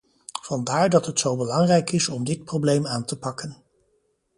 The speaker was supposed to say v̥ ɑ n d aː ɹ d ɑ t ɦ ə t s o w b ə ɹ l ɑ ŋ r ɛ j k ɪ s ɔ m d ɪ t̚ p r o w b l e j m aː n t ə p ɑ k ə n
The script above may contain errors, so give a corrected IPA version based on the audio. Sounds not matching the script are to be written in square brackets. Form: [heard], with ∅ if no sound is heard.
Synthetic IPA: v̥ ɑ n d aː ɹ d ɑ t ɦ ə t s o w b ə [∅] l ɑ ŋ r ɛ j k ɪ s ɔ m d ɪ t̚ p r o w b l e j m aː n t ə p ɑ k ə n